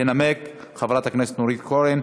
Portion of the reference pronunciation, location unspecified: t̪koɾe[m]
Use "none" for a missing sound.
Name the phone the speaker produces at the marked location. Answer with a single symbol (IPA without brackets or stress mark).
n